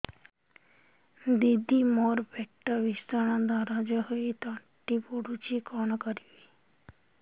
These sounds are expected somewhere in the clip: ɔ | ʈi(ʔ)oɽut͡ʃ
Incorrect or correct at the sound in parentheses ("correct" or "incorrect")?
incorrect